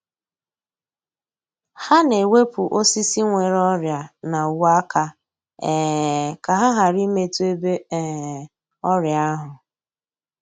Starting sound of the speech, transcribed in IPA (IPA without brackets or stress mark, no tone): h